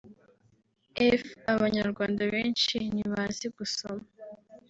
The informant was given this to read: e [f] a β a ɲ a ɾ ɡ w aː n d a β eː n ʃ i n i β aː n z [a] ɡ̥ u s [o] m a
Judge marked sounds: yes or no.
yes, no, yes

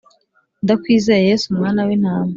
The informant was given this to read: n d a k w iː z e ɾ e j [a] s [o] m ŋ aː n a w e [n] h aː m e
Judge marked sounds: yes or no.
no, no, yes

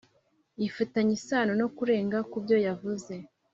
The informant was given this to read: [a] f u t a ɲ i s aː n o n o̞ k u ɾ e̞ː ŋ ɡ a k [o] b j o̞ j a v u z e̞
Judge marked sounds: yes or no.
no, no

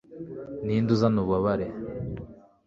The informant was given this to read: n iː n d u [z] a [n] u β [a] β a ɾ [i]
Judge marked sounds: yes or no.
yes, yes, yes, no

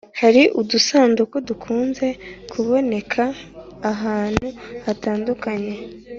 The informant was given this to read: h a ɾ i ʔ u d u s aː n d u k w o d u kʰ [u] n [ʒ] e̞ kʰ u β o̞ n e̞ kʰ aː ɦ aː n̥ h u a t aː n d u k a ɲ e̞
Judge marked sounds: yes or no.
no, no

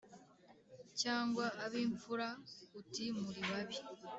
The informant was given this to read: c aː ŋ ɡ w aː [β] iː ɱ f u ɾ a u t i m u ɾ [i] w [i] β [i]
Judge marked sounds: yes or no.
yes, yes, no, yes

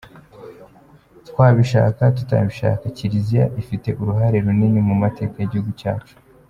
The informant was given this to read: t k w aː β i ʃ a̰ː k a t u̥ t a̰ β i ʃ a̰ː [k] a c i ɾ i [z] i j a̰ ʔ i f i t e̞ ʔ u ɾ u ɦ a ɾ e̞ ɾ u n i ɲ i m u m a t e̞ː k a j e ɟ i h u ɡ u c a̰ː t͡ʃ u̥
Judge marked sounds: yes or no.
yes, yes

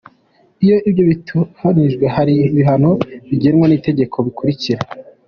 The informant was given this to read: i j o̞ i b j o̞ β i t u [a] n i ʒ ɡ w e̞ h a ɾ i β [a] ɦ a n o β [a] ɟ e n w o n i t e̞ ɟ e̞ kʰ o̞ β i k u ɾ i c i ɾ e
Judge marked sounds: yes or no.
yes, no, no

